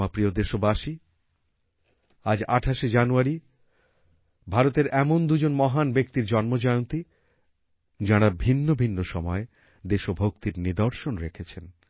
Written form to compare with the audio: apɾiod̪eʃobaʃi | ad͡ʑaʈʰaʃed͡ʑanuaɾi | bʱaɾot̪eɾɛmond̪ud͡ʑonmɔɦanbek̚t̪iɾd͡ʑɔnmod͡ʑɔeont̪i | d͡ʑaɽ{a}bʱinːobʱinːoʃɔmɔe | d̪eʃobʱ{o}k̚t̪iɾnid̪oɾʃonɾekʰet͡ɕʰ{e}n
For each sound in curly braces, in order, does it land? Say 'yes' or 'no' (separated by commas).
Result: yes, yes, yes